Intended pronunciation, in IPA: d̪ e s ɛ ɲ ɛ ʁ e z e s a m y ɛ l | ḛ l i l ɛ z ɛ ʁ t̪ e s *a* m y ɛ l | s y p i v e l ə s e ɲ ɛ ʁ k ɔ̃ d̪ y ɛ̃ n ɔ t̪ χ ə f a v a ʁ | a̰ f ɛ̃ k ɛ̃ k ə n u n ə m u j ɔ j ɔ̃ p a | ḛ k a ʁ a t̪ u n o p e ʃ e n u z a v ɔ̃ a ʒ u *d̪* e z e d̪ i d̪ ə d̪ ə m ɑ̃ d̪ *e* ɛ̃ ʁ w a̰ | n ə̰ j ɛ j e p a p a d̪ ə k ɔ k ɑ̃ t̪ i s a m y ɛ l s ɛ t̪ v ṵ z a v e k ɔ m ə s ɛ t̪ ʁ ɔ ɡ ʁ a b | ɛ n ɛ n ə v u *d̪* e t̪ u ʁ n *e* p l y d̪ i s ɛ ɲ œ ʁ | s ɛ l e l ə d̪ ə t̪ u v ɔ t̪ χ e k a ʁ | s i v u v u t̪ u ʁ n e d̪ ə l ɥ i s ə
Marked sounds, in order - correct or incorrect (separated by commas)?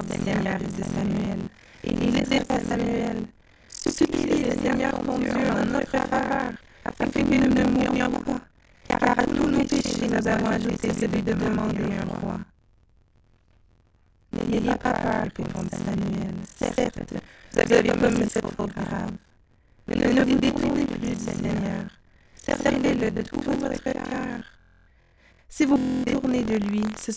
correct, incorrect, correct, correct, correct